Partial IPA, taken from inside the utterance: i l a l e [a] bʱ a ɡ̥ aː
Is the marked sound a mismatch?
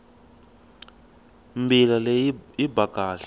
yes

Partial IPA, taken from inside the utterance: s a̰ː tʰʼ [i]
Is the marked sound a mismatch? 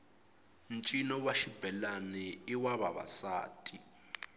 no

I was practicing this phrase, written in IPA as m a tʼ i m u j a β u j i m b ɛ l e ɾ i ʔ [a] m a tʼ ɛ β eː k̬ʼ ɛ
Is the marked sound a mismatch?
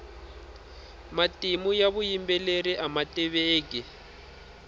no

